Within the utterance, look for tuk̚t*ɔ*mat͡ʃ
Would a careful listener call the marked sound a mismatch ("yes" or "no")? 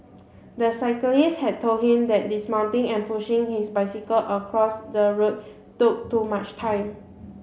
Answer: yes